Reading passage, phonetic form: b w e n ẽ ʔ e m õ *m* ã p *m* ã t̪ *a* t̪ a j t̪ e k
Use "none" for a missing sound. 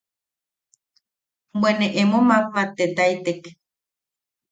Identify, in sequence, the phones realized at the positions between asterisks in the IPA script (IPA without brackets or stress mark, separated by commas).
m, m, e